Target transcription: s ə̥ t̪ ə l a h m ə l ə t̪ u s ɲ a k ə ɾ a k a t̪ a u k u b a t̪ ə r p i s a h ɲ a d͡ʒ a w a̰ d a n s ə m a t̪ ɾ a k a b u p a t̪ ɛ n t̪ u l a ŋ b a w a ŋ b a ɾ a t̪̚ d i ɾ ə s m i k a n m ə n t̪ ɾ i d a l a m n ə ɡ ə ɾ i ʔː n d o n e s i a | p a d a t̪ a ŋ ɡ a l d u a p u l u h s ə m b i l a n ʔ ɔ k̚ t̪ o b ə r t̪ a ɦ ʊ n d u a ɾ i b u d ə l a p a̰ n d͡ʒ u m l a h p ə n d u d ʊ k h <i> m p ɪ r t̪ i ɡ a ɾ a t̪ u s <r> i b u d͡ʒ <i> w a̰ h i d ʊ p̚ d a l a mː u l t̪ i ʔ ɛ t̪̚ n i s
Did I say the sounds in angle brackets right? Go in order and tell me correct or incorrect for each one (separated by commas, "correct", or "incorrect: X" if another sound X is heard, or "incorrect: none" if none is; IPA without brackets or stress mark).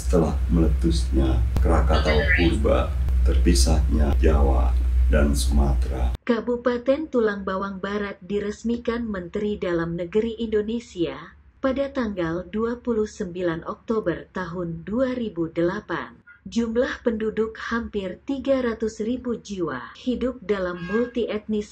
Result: incorrect: a, correct, correct